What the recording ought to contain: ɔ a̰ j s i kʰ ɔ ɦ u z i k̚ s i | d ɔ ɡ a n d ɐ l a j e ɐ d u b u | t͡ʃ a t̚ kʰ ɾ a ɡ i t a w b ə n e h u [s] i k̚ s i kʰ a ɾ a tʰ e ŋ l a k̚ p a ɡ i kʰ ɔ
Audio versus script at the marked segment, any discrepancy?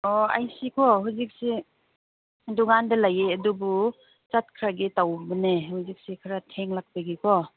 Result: yes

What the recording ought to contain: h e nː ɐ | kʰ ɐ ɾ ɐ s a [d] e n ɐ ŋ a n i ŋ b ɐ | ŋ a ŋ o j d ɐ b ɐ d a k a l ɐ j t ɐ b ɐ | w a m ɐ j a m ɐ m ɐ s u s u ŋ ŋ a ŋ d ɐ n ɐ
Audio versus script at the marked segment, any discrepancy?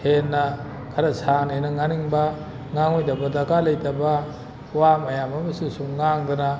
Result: yes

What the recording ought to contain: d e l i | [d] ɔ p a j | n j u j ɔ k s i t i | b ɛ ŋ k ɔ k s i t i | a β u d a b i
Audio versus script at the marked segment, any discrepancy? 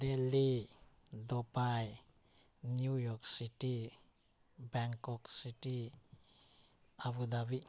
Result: no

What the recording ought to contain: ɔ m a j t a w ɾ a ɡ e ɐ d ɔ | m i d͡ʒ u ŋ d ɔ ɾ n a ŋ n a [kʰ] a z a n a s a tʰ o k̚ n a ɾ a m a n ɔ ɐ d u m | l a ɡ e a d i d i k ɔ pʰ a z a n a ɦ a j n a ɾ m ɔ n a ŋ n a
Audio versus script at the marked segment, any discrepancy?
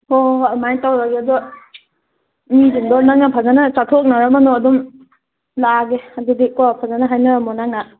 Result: yes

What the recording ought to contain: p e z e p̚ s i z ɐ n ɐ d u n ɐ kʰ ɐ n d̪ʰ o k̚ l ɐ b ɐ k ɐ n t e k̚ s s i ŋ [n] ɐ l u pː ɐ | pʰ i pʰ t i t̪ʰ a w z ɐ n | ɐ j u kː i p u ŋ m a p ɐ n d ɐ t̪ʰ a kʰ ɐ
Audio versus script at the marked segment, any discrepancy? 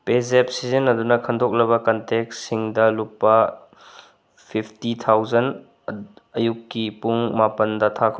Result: yes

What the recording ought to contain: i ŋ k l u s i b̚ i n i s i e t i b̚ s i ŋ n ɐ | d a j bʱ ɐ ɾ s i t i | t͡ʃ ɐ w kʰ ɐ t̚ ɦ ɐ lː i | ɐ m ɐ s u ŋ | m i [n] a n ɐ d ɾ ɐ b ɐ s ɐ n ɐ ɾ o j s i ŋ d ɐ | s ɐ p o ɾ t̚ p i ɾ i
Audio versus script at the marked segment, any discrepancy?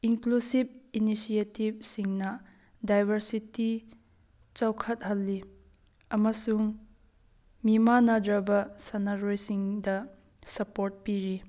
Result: yes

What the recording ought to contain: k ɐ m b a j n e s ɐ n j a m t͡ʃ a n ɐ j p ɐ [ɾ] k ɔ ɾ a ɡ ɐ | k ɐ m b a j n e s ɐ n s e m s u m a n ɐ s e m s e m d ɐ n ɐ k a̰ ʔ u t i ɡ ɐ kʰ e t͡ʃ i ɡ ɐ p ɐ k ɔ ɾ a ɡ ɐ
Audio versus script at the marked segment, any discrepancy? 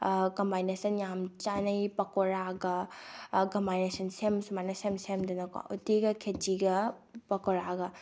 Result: yes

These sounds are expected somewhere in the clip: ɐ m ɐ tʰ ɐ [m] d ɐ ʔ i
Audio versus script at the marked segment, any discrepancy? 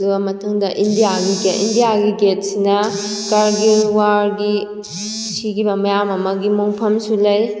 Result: yes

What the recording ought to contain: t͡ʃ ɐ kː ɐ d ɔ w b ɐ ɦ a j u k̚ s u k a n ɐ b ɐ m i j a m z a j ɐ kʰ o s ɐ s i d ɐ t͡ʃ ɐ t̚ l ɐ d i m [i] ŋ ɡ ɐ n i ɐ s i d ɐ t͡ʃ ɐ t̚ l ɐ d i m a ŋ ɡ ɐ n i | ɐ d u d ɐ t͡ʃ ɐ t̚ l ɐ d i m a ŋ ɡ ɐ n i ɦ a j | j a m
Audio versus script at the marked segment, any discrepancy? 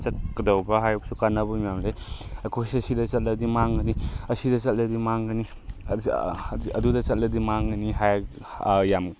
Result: yes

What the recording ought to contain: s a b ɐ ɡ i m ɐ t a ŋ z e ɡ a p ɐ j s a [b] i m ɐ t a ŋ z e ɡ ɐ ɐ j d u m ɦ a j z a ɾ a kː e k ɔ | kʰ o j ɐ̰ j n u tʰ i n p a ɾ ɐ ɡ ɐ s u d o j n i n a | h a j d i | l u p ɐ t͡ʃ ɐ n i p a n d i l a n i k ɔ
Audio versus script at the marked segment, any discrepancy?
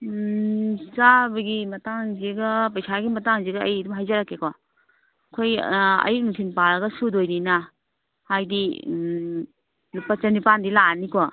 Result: yes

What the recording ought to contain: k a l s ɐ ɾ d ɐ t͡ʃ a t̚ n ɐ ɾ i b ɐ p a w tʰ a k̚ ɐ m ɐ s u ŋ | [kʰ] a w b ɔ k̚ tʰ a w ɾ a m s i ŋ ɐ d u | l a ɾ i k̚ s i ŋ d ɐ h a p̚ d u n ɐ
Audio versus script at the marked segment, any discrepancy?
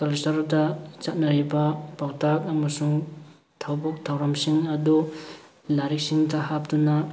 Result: yes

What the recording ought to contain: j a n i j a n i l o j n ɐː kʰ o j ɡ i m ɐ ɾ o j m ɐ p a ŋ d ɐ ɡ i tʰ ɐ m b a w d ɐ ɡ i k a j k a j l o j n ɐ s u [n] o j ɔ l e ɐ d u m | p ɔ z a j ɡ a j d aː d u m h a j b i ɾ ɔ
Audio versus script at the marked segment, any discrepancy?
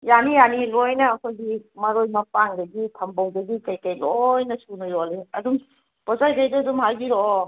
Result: no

